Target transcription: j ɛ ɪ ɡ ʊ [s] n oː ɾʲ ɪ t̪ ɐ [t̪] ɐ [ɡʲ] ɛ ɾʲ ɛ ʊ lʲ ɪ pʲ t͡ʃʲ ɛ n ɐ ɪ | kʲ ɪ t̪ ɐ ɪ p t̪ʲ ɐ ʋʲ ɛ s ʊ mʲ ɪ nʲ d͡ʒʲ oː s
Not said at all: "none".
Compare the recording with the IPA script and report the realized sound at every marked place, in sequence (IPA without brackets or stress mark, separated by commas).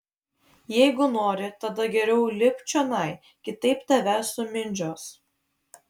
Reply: none, d̪, ɡʲ